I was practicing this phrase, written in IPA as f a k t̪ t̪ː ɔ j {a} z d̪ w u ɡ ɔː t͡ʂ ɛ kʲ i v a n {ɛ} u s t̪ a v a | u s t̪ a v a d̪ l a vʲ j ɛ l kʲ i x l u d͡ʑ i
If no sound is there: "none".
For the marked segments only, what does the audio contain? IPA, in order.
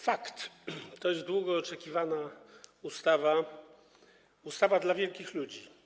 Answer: ɛ, a

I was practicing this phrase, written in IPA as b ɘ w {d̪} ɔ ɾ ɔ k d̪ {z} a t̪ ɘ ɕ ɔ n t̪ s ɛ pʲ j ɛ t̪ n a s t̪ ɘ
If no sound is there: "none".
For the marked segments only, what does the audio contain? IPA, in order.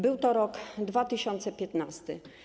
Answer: t̪, v

